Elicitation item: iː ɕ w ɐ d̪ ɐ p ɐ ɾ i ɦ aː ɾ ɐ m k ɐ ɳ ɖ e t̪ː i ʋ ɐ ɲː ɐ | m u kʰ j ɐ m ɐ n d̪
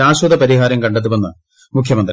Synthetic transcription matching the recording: aː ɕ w ɐ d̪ ɐ p ɐ ɾ i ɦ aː ɾ ɐ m k ɐ ɳ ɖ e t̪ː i ʋ ɐ nː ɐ | m u kʰ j ɐ m ɐ n d̪